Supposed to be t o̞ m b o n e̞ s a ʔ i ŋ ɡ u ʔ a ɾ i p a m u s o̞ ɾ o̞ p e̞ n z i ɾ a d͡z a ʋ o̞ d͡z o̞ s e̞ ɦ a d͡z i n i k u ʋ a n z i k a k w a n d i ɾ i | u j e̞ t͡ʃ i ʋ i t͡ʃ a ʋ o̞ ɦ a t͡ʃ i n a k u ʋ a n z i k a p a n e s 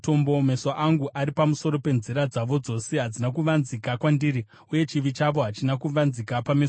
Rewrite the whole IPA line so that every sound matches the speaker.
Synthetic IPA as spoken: t o̞ m b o m e̞ s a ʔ a ŋ ɡ u ʔ a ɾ i p a m u s o̞ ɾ o̞ p e̞ n z i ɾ a d͡z a ʋ o̞ d͡z o̞ s e̞ ɦ a d͡z i n a k u ʋ a n z i k a k w a n d i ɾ i | u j e̞ t͡ʃ i ʋ i t͡ʃ a ʋ o̞ ɦ a t͡ʃ i n a k u ʋ a n z i k a p a m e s